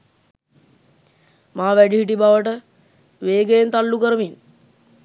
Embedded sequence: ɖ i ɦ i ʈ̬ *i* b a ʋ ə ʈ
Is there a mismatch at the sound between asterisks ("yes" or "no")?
no